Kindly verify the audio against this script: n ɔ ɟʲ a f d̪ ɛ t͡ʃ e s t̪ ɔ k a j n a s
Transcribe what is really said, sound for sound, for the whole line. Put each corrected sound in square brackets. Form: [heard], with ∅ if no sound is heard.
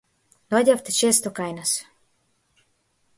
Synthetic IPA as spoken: n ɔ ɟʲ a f [t̪] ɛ t͡ʃ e s t̪ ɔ k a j n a s